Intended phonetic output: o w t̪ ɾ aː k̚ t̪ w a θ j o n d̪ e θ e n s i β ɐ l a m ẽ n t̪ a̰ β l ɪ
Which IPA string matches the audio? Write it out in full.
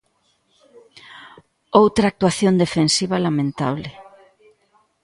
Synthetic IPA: o w t̪ ɾ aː k̚ t̪ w a θ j o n d̪ e f e n s i β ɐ l a m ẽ n t̪ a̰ β l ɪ